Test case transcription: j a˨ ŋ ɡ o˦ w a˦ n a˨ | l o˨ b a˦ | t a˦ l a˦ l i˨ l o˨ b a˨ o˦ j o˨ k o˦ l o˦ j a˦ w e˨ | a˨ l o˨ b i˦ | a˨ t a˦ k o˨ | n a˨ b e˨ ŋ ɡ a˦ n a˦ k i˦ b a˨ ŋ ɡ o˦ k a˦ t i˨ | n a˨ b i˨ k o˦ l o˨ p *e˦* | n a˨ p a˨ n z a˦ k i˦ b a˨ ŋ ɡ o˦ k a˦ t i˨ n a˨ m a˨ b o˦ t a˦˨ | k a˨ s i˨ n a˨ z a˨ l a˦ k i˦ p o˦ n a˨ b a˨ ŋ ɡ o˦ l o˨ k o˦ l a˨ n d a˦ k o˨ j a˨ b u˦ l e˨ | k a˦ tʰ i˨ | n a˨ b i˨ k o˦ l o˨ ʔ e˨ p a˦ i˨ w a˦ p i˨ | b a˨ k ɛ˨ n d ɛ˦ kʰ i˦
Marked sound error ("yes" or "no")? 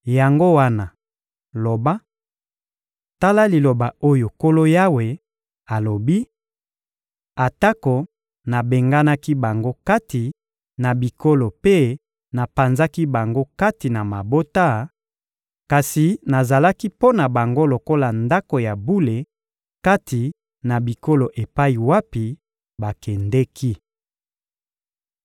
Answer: no